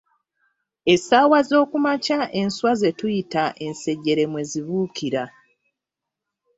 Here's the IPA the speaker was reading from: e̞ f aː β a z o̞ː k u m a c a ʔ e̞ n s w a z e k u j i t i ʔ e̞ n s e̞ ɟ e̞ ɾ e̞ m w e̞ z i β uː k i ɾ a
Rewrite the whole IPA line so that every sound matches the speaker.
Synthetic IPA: e̞ s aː w a z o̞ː k u m a c a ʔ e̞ n s w a z e t u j i t a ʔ e̞ n s e̞ ɟ e̞ ɾ e̞ m w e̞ z i β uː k i ɾ a